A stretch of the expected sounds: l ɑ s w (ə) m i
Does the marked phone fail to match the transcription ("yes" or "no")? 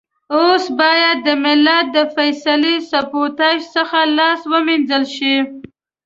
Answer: no